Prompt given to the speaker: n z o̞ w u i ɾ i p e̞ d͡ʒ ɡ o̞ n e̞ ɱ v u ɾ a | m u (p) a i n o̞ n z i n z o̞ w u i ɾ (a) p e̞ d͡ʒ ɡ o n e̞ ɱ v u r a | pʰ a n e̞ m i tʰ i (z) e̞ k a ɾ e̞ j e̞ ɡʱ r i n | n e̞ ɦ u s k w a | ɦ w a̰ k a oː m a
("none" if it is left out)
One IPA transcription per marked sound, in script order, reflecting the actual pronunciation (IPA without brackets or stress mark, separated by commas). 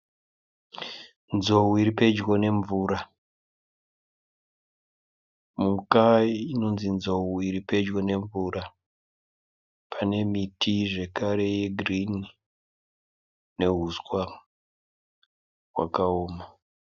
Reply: k, i, ʐ